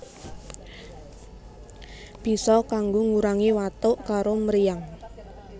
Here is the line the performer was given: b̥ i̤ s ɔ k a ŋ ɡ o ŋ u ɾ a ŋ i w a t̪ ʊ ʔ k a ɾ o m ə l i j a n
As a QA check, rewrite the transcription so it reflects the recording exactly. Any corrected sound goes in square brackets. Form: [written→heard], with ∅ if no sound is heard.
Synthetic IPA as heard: b̥ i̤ s ɔ k a ŋ ɡ o ŋ u ɾ a ŋ i w a t̪ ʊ ʔ k a ɾ o m ə [l→ɾ] i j a [n→ŋ]